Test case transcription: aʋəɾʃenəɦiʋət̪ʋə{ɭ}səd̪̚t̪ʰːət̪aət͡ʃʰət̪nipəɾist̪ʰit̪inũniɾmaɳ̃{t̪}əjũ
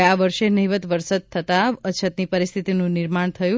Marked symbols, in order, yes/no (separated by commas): no, no